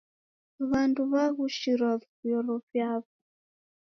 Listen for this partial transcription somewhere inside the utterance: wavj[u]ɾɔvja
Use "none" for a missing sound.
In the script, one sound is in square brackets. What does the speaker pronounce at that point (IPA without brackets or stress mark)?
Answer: ɔ